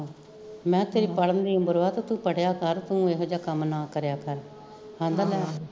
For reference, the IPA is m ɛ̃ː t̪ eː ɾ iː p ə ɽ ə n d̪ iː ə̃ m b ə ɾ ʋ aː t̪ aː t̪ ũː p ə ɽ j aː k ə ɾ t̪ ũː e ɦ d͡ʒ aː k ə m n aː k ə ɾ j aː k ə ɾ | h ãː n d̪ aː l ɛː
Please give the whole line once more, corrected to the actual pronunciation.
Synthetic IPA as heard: m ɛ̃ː t̪ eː ɾ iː p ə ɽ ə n d̪ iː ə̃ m b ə ɾ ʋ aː t̪ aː t̪ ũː p ə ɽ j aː k ə ɾ t̪ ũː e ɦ d͡ʒ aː k ə m n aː k ə ɾ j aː k ə ɾ | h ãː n d̪ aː l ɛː